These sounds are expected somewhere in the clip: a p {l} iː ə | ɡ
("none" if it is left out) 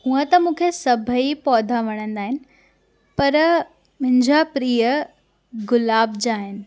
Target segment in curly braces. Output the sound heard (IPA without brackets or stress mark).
ɾ